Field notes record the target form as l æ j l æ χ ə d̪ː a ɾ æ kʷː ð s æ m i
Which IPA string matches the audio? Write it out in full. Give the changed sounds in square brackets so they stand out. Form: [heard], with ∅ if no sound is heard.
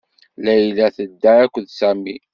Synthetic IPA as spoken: l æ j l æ [θ] ə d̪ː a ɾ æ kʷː ð s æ m i